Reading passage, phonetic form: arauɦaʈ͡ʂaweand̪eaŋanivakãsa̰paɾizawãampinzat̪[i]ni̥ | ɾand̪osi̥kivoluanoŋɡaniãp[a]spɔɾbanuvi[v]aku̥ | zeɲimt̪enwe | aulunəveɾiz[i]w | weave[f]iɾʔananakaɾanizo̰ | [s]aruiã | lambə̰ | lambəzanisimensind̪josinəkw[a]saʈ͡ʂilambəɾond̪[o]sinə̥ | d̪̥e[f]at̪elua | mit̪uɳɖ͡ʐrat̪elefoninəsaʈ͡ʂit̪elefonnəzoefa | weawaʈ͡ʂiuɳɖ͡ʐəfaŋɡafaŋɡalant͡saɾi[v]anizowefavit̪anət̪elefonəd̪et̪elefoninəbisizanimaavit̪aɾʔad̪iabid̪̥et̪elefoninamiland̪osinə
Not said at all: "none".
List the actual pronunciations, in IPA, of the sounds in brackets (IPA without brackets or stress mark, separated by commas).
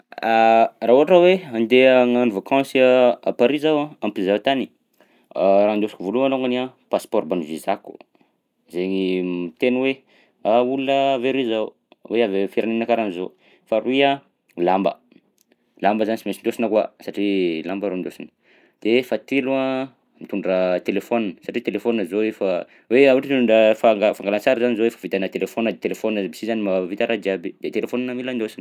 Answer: a, a, z, a, f, f, a, o, f, z